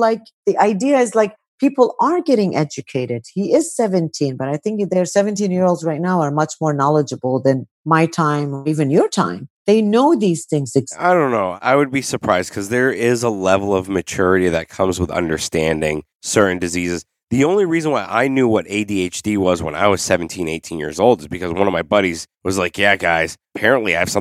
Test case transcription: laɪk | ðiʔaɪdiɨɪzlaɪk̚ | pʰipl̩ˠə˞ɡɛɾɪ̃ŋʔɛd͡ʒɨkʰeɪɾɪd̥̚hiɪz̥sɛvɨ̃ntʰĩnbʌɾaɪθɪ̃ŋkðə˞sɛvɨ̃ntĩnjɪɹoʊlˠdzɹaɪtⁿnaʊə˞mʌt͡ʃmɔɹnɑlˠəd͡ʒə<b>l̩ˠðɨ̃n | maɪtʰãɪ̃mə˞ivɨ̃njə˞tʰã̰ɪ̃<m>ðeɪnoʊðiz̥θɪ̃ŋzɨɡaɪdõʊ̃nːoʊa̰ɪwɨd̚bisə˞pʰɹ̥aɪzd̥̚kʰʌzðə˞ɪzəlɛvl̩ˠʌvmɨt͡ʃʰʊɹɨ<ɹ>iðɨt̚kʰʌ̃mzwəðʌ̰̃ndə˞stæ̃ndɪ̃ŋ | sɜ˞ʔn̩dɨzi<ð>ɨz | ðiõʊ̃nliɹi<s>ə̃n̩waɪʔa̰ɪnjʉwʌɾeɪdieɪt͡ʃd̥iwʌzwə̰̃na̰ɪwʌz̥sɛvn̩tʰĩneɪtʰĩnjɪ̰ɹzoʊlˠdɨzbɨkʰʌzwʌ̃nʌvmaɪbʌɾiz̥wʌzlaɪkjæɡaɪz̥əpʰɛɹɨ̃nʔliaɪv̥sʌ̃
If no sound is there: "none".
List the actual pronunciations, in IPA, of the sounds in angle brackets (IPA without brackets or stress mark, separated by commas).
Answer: b, m, ɾ, z, z